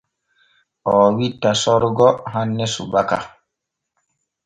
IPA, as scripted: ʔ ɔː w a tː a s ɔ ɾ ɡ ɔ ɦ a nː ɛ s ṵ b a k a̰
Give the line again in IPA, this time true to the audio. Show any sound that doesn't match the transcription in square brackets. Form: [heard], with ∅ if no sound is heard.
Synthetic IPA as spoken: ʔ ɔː w [i] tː a s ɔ ɾ ɡ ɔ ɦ a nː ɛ s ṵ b a k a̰